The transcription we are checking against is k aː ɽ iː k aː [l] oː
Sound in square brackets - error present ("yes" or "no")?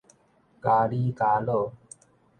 no